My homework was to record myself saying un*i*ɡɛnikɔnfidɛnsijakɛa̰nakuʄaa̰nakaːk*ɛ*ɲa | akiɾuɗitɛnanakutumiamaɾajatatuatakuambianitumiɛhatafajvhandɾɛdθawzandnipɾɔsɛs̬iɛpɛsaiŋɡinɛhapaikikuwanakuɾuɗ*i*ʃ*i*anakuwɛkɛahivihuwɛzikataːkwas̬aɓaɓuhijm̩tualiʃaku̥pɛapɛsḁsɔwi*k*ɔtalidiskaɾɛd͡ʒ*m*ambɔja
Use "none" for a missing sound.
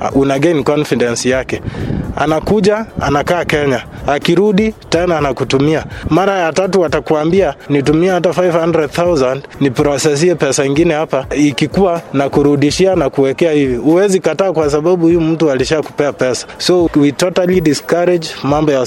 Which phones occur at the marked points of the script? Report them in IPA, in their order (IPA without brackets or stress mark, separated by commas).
a, ɛ, i, i, t, m